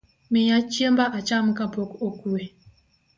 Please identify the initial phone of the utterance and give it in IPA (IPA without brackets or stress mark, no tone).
m